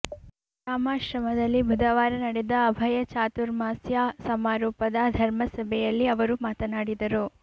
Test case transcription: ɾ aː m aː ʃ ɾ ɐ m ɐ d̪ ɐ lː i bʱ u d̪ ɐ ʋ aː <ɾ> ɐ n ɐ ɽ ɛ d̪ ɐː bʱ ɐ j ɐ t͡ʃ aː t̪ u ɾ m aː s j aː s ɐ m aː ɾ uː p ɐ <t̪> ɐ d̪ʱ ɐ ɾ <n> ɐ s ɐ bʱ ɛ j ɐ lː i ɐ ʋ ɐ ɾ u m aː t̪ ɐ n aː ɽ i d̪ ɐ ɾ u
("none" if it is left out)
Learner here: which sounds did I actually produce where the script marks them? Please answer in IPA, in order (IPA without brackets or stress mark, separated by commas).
ɾ, d̪, m